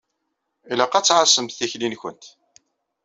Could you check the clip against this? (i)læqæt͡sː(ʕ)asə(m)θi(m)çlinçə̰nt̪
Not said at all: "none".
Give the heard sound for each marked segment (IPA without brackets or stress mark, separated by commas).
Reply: i, ʕ, m, none